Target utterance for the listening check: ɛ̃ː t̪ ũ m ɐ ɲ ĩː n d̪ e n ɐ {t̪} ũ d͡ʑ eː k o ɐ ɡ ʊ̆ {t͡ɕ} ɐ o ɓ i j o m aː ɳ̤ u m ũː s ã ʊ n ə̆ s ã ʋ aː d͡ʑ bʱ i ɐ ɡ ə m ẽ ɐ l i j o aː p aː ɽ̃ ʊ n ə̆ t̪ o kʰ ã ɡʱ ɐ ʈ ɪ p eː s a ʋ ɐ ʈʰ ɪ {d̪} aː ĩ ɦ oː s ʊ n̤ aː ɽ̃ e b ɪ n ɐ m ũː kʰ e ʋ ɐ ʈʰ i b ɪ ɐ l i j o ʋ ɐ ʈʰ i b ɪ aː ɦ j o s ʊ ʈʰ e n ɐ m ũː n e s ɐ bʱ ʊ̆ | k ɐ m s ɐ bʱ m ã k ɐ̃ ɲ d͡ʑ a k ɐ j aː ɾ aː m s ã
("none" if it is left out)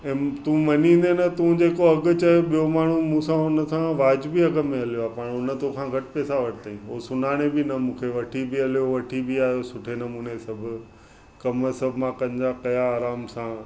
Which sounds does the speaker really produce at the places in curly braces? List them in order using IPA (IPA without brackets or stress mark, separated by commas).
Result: t̪, t͡ɕ, t̪